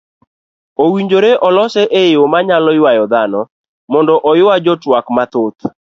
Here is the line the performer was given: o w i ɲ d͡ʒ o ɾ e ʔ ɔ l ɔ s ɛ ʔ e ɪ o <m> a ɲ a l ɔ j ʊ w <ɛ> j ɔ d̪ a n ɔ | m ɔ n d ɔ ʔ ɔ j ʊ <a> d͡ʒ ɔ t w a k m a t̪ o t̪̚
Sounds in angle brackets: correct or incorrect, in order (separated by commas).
correct, incorrect, correct